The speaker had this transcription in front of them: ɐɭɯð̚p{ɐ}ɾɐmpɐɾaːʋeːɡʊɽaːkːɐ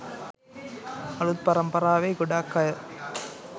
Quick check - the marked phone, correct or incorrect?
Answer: correct